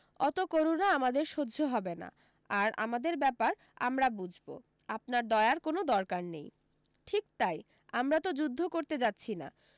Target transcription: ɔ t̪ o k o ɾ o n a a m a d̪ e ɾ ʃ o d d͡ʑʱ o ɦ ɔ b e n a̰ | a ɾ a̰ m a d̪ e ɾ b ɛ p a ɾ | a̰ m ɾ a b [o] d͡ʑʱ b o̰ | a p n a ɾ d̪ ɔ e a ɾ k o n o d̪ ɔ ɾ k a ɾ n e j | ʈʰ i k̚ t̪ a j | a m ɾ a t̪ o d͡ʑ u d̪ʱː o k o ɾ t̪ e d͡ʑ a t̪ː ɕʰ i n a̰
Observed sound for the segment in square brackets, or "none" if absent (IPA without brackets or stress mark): u